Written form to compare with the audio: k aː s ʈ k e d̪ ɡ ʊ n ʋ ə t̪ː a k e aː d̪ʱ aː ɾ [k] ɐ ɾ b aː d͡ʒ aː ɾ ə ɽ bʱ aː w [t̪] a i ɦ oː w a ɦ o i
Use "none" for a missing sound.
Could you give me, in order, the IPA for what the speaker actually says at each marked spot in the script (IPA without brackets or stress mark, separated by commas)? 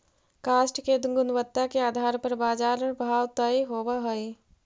p, t̪